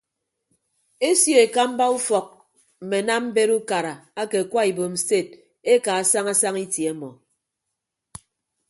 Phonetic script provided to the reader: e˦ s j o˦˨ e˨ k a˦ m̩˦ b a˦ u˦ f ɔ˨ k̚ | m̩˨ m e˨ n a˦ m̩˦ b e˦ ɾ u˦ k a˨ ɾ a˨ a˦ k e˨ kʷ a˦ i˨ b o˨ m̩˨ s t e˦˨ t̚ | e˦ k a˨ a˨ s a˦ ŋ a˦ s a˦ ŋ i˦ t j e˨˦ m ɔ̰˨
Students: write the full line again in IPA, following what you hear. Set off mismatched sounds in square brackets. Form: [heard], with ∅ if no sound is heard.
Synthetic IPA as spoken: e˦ s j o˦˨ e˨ k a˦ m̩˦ b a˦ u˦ f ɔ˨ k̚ | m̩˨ m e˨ n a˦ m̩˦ b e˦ ɾ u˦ k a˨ ɾ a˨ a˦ k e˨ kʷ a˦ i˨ b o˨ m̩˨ s t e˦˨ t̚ | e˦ k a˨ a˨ s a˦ ŋ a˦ s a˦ ŋ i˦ t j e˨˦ m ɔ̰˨